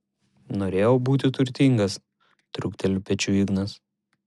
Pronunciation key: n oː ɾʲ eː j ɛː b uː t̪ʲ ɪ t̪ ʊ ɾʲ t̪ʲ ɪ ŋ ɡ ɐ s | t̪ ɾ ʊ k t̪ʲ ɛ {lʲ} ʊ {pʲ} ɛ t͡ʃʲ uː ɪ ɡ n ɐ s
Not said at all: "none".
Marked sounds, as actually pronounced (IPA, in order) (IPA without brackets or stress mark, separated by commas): lʲ, pʲ